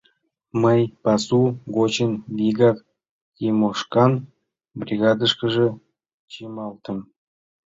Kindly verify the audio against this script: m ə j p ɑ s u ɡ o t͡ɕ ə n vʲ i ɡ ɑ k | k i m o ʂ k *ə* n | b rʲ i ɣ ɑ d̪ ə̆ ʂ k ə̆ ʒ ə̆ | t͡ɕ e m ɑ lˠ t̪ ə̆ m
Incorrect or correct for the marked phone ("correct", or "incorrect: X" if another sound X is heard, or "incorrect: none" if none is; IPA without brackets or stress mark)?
incorrect: ɑ